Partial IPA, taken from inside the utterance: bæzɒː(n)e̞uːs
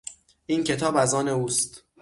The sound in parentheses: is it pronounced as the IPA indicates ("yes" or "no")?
yes